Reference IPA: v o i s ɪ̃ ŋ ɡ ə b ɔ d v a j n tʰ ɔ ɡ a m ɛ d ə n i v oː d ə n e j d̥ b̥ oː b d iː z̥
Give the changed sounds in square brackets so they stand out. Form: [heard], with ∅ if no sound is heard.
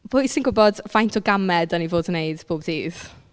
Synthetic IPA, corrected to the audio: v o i s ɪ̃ ŋ ɡ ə b ɔ d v a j n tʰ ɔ ɡ a m ɛ d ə n i v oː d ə n e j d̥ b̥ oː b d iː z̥